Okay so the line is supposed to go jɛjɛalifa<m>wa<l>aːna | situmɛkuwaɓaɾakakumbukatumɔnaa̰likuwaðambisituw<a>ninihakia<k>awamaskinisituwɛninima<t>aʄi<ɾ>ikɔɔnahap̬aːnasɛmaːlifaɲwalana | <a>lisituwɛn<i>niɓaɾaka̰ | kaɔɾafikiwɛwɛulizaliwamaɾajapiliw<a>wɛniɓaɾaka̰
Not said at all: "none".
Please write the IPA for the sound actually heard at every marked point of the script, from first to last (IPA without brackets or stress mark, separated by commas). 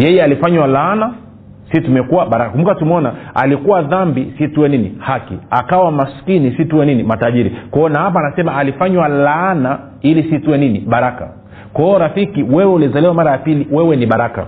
ɲ, l, ɛ, k, t, ɾ, i, i, ɛ